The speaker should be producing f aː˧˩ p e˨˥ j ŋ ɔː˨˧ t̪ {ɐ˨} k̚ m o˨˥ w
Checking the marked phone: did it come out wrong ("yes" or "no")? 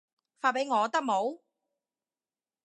yes